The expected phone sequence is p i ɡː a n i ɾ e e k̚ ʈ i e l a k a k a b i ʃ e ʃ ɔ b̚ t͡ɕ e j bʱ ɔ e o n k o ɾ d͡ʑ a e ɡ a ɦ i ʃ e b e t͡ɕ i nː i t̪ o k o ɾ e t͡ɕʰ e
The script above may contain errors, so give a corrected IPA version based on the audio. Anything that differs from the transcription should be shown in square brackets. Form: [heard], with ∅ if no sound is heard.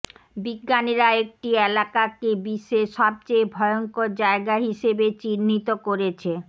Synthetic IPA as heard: [b] i ɡː a n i ɾ [a] e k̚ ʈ i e l a k a k [e] b i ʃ e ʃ ɔ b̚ t͡ɕ e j bʱ ɔ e o [ŋ] k o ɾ d͡ʑ a e ɡ a ɦ i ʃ e b e t͡ɕ i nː i t̪ o k o ɾ e t͡ɕʰ e